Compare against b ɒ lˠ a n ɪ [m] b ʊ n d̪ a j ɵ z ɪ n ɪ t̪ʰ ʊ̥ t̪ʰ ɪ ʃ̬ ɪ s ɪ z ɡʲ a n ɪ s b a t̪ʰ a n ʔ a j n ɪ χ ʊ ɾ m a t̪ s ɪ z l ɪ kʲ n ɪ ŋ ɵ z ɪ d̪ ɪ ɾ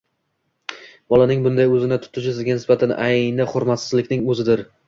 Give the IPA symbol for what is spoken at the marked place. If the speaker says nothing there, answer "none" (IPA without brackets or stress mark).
ŋ